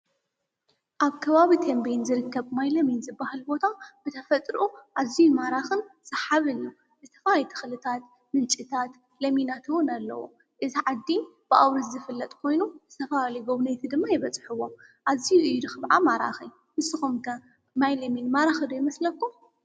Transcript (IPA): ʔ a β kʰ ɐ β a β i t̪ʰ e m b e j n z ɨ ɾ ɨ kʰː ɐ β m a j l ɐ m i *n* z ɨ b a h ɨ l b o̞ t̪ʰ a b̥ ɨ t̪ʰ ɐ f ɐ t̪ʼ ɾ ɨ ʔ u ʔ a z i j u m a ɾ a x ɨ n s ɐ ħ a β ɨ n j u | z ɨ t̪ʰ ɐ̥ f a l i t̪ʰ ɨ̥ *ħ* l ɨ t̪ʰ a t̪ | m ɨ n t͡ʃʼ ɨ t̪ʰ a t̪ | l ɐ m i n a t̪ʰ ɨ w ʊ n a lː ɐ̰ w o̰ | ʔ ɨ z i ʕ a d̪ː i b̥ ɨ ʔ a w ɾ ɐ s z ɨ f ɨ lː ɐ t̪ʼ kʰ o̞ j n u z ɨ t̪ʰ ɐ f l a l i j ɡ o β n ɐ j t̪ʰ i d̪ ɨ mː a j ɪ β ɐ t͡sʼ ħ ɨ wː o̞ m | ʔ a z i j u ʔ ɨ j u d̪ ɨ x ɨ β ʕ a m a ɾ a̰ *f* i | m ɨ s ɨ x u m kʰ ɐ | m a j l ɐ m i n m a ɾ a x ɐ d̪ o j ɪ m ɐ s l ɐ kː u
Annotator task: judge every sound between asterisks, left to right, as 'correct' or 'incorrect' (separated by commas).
correct, incorrect, incorrect